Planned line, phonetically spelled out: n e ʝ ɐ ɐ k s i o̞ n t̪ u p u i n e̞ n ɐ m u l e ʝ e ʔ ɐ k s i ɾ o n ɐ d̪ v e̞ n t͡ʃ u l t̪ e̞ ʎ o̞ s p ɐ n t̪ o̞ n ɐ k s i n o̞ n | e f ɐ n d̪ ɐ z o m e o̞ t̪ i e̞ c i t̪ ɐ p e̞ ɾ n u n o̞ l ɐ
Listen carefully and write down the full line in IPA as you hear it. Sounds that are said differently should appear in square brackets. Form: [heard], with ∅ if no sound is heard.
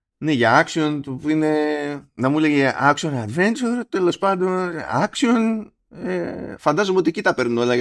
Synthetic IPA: n e ʝ ɐ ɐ k s i o̞ n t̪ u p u i n e̞ n ɐ m u l e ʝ e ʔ ɐ k s i [∅] o n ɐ d̪ v e̞ n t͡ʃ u [ɾ] t̪ e̞ [l] o̞ s p ɐ n [d̪] o̞ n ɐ k s i [∅] o̞ n | e f ɐ n d̪ ɐ z o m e o̞ t̪ i e̞ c i t̪ ɐ p e̞ ɾ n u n o̞ l ɐ